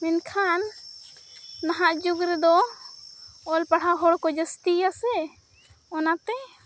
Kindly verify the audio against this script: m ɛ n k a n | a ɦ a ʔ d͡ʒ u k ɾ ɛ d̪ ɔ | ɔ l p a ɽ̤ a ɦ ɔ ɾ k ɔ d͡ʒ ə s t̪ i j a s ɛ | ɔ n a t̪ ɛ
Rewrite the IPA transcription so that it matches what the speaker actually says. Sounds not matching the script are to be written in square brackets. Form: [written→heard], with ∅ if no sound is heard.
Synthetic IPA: m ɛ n [k→kʰ] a n | a ɦ a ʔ d͡ʒ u [k→ɡ] ɾ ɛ d̪ ɔ | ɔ l p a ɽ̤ a ɦ ɔ [ɾ→ɽ] k ɔ d͡ʒ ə s t̪ i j a s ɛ | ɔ n a t̪ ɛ